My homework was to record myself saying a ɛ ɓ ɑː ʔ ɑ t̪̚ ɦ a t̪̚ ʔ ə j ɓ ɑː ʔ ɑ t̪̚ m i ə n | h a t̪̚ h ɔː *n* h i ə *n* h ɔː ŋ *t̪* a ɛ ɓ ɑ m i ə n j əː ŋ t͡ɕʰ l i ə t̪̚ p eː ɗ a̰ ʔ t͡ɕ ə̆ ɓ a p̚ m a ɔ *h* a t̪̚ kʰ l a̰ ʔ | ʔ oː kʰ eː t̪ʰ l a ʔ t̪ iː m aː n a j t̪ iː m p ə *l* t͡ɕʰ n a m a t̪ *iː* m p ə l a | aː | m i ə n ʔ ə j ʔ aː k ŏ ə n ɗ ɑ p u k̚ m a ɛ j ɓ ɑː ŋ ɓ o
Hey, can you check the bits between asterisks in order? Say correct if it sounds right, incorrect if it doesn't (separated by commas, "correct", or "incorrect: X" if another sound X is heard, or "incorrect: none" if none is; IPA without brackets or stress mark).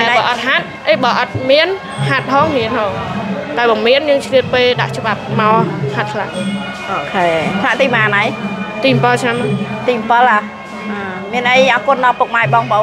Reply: incorrect: ŋ, correct, correct, correct, correct, correct